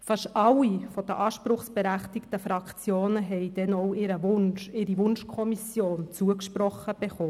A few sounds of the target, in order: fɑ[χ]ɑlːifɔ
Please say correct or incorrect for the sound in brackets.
incorrect